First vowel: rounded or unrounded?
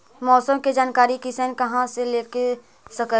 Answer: rounded